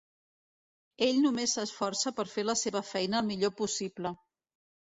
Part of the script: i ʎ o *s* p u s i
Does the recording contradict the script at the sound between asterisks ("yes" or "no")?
yes